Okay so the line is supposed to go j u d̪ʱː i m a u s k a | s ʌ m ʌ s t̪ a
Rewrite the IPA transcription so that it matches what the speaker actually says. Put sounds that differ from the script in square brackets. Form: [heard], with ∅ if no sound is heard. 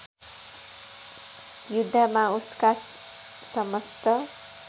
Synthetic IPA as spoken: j u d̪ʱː [a] m a u s k a | s ʌ m ʌ s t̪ [ʌ]